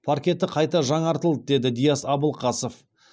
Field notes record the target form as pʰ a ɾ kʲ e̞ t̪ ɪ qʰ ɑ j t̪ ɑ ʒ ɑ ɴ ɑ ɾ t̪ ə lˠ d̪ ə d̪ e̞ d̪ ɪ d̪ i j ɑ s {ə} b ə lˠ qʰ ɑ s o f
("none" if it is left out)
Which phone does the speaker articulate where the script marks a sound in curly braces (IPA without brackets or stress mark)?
ɑ